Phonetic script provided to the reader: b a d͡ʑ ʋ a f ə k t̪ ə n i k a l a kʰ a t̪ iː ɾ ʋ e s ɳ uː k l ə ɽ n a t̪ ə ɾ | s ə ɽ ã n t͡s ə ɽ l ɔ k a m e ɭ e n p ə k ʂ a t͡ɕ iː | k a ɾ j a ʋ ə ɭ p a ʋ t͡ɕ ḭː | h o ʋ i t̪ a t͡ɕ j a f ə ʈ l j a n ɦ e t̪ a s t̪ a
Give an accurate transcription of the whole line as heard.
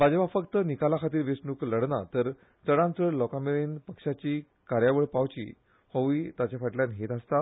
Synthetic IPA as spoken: b a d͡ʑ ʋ a f ə k t̪ ə n i k a l a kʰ a t̪ iː ɾ ʋ e s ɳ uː k l ə ɽ n a t̪ ə ɾ | t͡s ə ɽ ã n t͡s ə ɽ l ɔ k a m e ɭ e n p ə k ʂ a t͡ɕ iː | k a ɾ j a ʋ ə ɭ p a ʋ t͡ɕ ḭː | h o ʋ i t̪ a t͡ɕ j a f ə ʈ l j a n ɦ e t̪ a s t̪ a

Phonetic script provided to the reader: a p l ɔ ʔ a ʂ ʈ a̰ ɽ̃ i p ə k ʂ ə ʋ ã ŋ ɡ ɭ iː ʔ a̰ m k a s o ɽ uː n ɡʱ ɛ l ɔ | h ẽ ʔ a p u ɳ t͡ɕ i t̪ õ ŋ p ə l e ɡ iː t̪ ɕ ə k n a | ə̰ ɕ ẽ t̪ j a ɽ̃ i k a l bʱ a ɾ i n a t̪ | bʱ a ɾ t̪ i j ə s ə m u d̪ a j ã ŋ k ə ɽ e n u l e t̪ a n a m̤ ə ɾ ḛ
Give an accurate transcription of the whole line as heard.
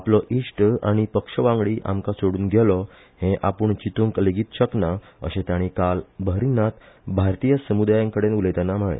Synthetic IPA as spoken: a p l ɔ ʔ i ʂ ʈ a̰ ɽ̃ i p ə k ʂ ə ʋ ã ŋ ɡ ɭ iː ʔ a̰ m k a s o ɽ uː n ɡʱ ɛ l ɔ | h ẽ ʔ a p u ɳ t͡ɕ i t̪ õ ŋ k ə l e ɡ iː t̪ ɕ ə k n a | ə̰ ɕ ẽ t̪ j a ɽ̃ i k a l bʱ ə ɾ i n a t̪ | bʱ a ɾ t̪ i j ə s ə m u d̪ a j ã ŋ k ə ɽ e n u l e t̪ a n a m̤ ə ɭ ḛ

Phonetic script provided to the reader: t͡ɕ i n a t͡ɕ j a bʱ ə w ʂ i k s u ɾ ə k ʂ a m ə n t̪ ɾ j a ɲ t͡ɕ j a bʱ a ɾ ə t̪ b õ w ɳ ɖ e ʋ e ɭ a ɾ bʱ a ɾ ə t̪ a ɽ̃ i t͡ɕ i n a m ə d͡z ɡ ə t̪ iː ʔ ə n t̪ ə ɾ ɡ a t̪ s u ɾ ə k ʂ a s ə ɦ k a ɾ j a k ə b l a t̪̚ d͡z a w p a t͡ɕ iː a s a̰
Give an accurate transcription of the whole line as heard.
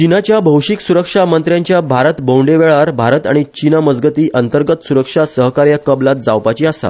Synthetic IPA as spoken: t͡ɕ i n a t͡ɕ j a bʱ ə w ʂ i k s u ɾ ə k ʂ a m ə n t̪ ɾ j a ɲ t͡ɕ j a bʱ a ɾ ə t̪ b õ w ɳ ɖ e ʋ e ɭ a ɾ bʱ a ɾ ə t̪ a ɽ̃ i t͡ɕ i n a m ə d͡z ɡ ə t̪ iː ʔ ə n t̪ ə ɾ ɡ ə t̪ s u ɾ ə k ʂ a s ə ɦ k a ɾ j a k ə b l a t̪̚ d͡z a w p a t͡ɕ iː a s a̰

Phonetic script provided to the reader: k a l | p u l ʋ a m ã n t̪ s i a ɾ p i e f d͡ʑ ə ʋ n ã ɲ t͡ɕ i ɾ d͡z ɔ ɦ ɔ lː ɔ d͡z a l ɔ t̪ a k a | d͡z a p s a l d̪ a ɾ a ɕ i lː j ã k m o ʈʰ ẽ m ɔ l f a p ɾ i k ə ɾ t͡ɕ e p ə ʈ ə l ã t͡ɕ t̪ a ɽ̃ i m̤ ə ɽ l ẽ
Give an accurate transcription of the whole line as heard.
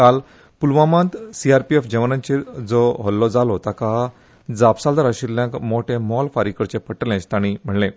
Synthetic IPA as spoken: k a l | p u l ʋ a m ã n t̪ s i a ɾ p i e f d͡ʑ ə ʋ n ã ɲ t͡ɕ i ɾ d͡z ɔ ɦ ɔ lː ɔ d͡z a l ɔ t̪ a k a | d͡z a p s a l d̪ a ɾ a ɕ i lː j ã k m o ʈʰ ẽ m ɔ l f a ɾ i k ə ɾ t͡ɕ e p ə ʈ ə l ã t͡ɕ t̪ a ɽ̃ i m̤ ə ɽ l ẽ

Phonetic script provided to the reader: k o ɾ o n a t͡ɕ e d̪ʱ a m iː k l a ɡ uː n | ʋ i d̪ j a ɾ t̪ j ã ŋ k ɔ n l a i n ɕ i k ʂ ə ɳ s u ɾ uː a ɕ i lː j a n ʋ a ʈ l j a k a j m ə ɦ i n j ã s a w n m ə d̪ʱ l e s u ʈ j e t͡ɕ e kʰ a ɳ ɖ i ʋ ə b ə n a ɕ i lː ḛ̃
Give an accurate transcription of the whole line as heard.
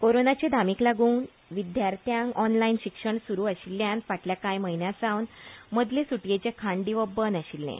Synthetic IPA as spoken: k o ɾ o n a t͡ɕ e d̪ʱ a m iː k l a ɡ uː n | ʋ i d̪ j a ɾ t̪ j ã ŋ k ɔ n l a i n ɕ i k ʂ ə ɳ s u ɾ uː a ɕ i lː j a n ʋ a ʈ l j a k a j m ə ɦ i n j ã s a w n m ə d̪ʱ l e s u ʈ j e t͡ɕ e kʰ a ɳ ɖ i ʋ ə b ə n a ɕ i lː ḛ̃

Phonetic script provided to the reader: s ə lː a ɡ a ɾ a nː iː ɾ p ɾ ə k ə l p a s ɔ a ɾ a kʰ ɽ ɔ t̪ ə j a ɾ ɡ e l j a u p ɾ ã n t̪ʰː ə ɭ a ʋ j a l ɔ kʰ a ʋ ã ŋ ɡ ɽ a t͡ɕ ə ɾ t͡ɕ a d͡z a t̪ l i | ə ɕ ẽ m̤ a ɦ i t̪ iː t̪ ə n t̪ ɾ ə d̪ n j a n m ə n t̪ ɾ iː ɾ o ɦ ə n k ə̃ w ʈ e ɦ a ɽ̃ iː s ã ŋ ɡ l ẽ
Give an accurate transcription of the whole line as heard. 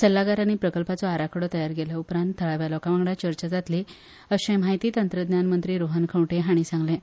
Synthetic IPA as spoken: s ə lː a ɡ a ɾ a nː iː p ɾ ə k ə l p a t͡s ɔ a ɾ a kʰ ɽ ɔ t̪ ə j a ɾ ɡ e l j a u p ɾ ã n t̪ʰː ə ɭ a ʋ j a l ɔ k a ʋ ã ŋ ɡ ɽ a t͡ɕ ə ɾ t͡ɕ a d͡z a t̪ l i | ə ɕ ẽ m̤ a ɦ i t̪ iː t̪ ə n t̪ ɾ ə d̪ n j a n m ə n t̪ ɾ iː ɾ o ɦ ə n kʰ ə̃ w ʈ e ɦ a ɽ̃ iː s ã ŋ ɡ l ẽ

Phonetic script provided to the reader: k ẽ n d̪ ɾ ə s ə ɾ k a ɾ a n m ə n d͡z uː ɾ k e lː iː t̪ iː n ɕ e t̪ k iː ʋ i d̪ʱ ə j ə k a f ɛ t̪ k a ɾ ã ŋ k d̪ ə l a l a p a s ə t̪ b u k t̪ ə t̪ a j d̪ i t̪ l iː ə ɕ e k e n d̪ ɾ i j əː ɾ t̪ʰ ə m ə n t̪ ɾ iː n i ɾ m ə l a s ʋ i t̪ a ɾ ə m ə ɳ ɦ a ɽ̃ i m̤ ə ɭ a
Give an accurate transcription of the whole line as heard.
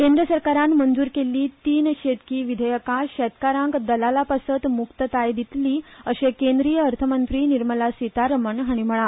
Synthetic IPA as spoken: k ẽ n d̪ ɾ ə s ə ɾ k a ɾ a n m ə n d͡z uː ɾ k e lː iː t̪ iː n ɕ e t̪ k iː ʋ i d̪ʱ ə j ə k a ɕ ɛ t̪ k a ɾ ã ŋ k d̪ ə l a l a p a s ə t̪ m u k t̪ ə t̪ a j d̪ i t̪ l iː ə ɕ e k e n d̪ ɾ i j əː ɾ t̪ʰ ə m ə n t̪ ɾ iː n i ɾ m ə l a s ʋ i t̪ a ɾ ə m ə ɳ ɦ a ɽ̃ i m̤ ə ɭ a

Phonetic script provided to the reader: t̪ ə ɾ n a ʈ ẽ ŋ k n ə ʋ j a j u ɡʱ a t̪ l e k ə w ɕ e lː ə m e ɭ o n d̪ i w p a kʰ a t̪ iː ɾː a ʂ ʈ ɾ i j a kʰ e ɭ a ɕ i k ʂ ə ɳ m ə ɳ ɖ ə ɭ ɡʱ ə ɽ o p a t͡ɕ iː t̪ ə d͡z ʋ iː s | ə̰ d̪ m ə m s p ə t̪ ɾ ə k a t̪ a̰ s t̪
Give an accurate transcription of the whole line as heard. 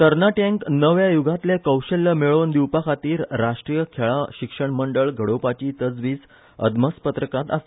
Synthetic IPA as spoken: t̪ ə ɾ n a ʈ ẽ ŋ k n ə ʋ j a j u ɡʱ a t̪ l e k ə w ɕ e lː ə m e ɭ o n d̪ i w p a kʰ a t̪ iː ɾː a ʂ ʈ ɾ i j ə kʰ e ɭ a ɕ i k ʂ ə ɳ m ə ɳ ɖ ə ɭ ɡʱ ə ɽ o p a t͡ɕ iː t̪ ə d͡z ʋ iː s | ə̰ d̪ m ə s p ə t̪ ɾ ə k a t̪ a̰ s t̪

